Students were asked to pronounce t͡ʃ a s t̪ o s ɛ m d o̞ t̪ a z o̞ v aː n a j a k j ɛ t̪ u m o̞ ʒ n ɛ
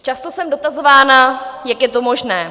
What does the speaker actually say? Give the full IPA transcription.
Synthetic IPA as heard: t͡ʃ a s t̪ o s ɛ m d o̞ t̪ a z o̞ v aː n a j a k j ɛ t̪ o m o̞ ʒ n ɛː